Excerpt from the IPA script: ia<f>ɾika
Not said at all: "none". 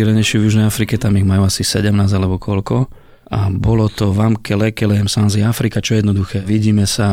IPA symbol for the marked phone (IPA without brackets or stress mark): f